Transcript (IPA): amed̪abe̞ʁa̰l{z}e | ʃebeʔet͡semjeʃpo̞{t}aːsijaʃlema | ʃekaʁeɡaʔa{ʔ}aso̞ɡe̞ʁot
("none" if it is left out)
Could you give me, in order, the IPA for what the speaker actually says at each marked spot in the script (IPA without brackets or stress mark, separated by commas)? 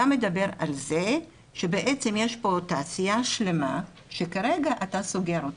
z, t, t